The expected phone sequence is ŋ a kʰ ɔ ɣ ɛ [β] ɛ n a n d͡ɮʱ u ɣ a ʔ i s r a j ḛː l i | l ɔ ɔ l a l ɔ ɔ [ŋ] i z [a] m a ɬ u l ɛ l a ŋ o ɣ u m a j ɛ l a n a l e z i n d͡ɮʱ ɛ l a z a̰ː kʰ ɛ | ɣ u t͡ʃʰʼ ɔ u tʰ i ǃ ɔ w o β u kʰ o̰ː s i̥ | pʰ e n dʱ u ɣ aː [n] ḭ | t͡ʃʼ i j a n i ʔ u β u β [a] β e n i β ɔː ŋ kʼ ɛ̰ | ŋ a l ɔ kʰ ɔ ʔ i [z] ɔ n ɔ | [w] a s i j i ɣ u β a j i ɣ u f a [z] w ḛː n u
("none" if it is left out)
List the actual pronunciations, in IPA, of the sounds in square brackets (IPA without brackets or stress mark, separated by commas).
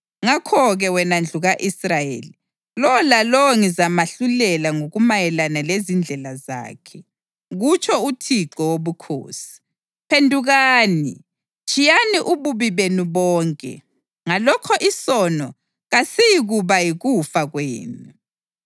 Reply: w, ŋ, a, n, i, s, ɣ, ɣ